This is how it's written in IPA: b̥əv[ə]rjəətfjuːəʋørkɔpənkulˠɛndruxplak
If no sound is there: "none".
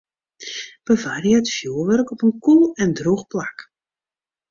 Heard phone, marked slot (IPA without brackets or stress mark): a